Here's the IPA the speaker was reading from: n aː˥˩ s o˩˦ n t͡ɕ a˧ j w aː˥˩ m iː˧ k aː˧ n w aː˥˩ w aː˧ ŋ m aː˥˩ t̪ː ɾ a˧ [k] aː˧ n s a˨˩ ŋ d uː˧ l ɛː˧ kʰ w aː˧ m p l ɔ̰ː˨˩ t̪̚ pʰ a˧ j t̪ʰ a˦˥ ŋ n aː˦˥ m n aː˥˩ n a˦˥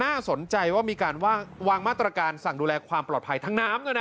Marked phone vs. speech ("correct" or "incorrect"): correct